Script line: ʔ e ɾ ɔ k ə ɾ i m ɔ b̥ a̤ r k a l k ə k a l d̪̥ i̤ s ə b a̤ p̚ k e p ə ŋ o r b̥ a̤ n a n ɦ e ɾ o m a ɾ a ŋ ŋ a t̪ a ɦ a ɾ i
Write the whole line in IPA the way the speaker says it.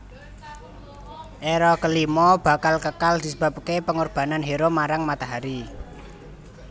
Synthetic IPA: ʔ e ɾ ɔ k ə l i m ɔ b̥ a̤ k a l k ə k a l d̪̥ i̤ s ə b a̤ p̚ k e p ə ŋ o r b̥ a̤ n a n ɦ e ɾ o m a ɾ a ŋ m a t̪ a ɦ a ɾ i